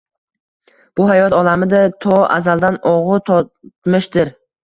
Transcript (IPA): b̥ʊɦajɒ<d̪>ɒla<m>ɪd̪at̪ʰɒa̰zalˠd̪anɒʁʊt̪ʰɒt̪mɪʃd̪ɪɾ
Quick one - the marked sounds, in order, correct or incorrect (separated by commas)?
incorrect, correct